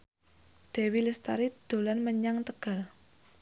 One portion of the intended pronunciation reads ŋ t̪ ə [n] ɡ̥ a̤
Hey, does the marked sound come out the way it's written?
no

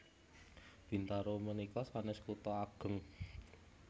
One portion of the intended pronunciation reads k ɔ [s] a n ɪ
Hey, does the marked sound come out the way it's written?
yes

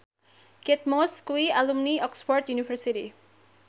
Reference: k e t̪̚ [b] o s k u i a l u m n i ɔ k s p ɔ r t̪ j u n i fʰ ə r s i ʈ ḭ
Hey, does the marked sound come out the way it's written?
no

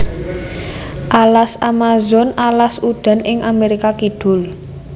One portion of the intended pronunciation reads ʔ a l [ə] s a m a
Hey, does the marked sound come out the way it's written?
no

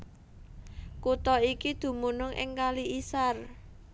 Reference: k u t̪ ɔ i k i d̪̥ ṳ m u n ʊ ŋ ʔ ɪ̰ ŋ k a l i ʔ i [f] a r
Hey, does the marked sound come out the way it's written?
no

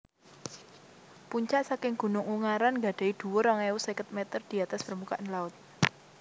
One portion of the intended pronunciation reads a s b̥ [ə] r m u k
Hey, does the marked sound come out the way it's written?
yes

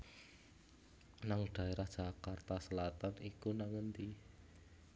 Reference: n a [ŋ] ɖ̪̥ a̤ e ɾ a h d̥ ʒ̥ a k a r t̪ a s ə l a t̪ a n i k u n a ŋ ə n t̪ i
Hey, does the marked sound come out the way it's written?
yes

